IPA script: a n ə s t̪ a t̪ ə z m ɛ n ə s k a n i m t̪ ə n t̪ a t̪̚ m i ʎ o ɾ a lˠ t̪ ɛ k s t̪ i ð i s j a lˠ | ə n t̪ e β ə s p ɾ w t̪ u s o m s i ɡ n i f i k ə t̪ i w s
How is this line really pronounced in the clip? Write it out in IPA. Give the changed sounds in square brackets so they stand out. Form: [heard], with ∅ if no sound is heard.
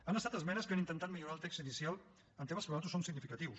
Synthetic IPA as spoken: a n ə s t̪ a t̪ ə z m ɛ n ə s k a n i [n] t̪ ə n t̪ a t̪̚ m i ʎ [u] ɾ a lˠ t̪ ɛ k s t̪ i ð i s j a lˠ | ə n t̪ e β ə s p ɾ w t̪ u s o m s i ɡ n i f i k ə t̪ i w s